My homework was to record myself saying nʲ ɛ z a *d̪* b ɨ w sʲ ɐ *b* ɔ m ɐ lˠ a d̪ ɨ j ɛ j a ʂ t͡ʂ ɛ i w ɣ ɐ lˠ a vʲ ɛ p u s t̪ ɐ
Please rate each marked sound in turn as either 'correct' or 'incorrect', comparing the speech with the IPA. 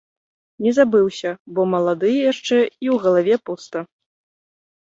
incorrect: none, correct

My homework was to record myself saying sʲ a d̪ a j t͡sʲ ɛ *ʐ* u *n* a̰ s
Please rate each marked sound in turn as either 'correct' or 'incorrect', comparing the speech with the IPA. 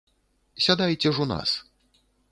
correct, correct

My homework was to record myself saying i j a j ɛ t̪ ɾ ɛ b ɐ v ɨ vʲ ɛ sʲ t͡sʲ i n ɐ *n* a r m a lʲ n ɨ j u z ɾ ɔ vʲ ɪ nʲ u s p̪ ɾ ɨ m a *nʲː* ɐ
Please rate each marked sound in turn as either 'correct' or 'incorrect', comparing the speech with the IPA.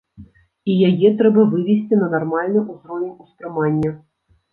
correct, correct

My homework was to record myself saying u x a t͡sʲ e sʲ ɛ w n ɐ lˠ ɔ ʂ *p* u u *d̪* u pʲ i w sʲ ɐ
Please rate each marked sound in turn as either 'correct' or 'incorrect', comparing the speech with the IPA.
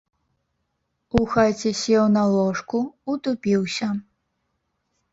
incorrect: k, incorrect: t̪

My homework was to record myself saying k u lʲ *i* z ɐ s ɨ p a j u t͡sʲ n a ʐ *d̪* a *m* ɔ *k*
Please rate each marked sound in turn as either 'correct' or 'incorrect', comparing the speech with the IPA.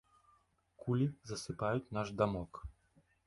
correct, correct, correct, correct

